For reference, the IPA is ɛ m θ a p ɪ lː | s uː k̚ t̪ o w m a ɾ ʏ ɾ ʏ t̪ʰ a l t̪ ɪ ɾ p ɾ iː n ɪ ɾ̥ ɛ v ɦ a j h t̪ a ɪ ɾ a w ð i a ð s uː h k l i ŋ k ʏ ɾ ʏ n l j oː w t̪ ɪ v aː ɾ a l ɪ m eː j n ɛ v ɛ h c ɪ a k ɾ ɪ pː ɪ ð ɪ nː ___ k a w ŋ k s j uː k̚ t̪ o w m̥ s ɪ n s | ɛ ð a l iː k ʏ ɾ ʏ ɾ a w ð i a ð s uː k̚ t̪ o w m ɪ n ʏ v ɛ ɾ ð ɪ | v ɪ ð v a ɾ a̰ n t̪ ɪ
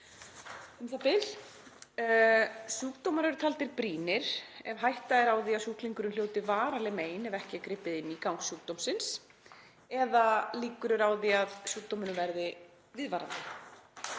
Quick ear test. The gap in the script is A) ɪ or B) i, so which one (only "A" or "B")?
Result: B